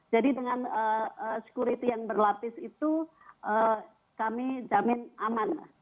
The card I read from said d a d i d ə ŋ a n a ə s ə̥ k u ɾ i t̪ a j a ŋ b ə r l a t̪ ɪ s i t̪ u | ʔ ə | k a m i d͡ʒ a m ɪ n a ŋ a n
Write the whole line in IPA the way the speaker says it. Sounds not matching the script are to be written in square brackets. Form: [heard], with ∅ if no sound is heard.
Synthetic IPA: [d͡ʒ] a d i d ə ŋ a n [ə] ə s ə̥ k u ɾ i t̪ [i] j a ŋ b ə r l a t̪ ɪ s i t̪ u | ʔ ə | k a m i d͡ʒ a m ɪ n a [m] a n